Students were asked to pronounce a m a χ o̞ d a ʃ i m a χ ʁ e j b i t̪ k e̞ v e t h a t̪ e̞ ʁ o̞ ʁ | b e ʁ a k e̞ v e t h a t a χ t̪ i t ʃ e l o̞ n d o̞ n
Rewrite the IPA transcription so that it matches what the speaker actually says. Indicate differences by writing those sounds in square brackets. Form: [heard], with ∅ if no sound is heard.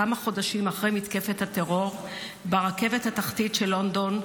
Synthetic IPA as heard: a m a χ o̞ d a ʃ i m a χ ʁ e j [m] i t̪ k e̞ [f] e t h a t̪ e̞ ʁ o̞ ʁ | b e ʁ a k e̞ v e t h a t a χ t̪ i t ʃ e l o̞ n d o̞ n